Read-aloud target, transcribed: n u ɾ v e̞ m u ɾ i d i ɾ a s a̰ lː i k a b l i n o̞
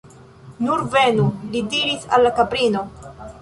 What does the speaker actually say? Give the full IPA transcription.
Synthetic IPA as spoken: n u ɾ v e̞ n u l i d i ɾ i s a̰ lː a k a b ɾ i n o̞